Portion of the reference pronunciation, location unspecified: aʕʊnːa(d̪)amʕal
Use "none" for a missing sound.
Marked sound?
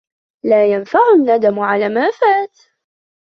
d̪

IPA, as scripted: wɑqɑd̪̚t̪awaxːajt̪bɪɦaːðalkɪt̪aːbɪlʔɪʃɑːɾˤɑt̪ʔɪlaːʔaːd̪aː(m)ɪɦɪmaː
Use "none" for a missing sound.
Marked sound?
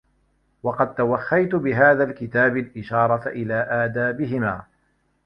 b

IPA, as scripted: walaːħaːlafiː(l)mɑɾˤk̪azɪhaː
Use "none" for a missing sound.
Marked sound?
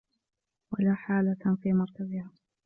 none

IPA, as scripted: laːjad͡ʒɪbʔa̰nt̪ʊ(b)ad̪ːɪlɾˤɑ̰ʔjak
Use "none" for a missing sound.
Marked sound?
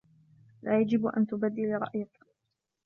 b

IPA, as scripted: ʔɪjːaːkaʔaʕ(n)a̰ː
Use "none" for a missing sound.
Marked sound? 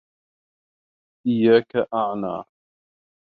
n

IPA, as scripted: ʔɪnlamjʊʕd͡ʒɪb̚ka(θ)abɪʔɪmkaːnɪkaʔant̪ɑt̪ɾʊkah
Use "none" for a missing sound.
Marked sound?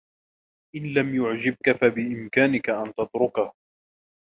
f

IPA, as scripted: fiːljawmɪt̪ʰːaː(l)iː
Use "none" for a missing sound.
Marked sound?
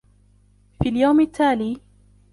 l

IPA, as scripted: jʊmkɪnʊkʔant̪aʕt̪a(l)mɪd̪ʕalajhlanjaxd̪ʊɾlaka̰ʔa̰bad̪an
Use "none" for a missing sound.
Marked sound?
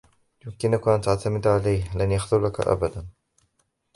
none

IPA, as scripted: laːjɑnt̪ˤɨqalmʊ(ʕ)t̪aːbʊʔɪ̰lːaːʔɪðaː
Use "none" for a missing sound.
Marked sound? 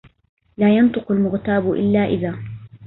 ɣ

